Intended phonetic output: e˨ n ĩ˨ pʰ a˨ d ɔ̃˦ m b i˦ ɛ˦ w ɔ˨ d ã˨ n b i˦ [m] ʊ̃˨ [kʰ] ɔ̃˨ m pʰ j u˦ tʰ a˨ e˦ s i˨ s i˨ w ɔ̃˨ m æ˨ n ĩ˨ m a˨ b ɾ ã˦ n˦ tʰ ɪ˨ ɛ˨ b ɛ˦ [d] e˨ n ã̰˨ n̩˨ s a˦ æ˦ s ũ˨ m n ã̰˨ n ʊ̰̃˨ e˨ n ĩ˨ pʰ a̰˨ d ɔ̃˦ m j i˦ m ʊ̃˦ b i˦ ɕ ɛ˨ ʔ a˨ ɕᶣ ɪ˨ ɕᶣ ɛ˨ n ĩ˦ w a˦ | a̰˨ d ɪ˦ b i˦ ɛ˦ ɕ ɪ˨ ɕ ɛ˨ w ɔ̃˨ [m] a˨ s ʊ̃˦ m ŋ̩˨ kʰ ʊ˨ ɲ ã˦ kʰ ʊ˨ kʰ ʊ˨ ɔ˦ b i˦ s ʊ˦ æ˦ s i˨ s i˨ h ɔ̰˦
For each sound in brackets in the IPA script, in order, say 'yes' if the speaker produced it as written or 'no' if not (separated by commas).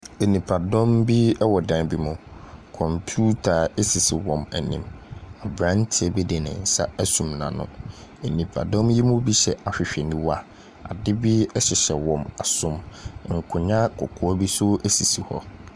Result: yes, yes, yes, yes